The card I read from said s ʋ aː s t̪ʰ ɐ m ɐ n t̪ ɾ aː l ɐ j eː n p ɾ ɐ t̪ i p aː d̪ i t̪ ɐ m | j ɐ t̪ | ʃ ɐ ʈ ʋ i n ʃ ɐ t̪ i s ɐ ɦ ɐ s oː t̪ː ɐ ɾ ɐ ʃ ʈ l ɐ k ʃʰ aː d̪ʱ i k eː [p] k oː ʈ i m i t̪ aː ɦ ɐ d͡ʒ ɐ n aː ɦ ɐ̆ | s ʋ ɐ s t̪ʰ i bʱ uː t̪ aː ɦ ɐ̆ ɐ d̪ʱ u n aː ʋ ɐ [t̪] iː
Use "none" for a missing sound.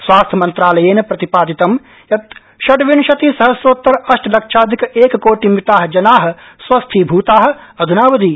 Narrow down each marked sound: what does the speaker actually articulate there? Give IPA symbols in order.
k, d̪

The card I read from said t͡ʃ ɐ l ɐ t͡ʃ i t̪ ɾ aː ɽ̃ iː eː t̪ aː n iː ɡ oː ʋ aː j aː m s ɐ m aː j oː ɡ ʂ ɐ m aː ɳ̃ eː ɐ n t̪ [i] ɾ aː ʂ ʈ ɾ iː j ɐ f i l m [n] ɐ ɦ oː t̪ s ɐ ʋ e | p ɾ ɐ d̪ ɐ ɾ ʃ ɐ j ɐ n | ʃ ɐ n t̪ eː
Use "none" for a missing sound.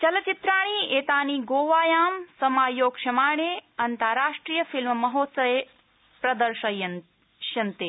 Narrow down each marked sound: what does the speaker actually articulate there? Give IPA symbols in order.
a, m

